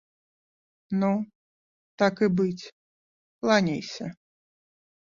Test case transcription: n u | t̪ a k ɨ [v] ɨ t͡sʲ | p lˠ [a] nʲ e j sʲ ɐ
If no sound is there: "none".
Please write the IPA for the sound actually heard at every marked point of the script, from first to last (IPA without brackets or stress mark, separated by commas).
b, a